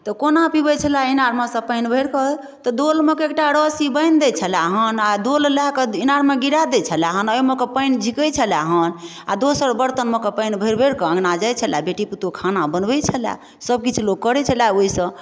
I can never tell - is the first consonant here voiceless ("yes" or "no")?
yes